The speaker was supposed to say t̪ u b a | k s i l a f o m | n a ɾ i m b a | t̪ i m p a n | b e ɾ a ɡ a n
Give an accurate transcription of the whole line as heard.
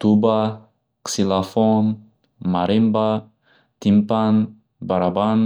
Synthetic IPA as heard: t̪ u b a | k s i l a f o n | m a ɾ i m b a | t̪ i m p a n | b a ɾ a b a n